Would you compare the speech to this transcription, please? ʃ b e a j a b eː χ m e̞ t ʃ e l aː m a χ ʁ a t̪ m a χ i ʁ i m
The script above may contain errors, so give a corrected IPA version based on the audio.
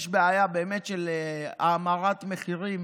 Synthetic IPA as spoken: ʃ b e a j a b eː m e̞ t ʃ e l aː m a ʁ a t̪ m e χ i ʁ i m